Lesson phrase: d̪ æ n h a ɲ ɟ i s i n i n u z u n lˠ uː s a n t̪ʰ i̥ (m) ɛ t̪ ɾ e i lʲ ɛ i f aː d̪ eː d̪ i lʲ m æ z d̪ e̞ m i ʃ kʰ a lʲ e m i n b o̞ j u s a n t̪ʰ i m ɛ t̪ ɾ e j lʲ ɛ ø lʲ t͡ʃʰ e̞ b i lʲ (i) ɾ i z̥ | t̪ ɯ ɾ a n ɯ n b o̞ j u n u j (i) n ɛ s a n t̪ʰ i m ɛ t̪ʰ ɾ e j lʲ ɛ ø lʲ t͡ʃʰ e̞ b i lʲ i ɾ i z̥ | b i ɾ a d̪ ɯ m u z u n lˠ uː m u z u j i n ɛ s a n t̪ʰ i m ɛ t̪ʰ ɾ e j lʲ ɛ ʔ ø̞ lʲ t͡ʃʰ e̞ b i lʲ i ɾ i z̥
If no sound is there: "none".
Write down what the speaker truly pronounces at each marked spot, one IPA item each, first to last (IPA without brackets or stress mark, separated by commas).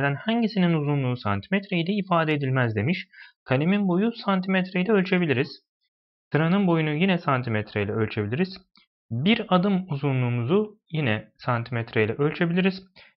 m, i, i